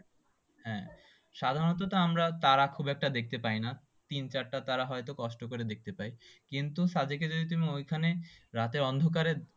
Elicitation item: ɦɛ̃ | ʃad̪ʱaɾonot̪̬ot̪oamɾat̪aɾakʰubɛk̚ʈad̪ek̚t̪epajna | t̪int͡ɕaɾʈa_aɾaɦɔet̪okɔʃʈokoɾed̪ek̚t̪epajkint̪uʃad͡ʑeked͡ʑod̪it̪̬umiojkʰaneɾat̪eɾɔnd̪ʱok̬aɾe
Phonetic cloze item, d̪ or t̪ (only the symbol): t̪